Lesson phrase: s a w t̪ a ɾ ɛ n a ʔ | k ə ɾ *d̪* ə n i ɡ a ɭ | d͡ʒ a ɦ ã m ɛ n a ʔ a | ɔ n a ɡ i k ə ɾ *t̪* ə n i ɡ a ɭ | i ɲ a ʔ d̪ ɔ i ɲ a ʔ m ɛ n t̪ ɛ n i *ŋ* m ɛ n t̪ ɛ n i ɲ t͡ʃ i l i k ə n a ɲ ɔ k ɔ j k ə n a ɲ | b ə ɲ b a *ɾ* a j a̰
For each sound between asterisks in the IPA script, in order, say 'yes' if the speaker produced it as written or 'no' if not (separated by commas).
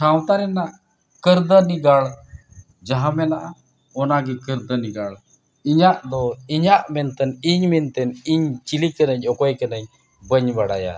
yes, no, no, no